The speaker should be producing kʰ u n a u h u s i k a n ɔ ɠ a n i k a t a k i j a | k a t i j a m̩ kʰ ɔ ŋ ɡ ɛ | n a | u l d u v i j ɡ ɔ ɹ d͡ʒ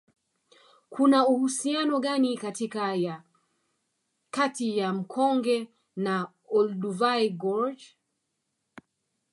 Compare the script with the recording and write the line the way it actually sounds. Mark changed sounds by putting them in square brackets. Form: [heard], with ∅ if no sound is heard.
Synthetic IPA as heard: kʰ u n a u h u s i [∅] a n ɔ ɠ a n i k a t [i] k [a] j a | k a t i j a m̩ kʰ ɔ ŋ ɡ ɛ | n a | [ɔ] l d u v [a] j ɡ ɔ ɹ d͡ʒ